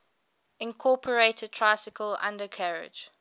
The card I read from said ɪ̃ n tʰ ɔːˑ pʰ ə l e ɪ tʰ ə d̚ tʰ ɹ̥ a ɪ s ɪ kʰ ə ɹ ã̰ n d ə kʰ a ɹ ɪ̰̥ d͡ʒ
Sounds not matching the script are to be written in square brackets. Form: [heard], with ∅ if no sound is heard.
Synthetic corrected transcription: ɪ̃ n [kʰ] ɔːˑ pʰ ə [ɹ] e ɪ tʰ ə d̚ tʰ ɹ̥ a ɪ s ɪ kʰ ə [l] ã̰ n d ə kʰ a ɹ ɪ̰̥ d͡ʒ